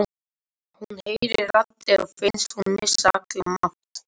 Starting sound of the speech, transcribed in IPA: h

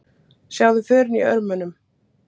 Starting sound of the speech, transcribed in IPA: s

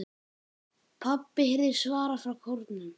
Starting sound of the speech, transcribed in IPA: pʰ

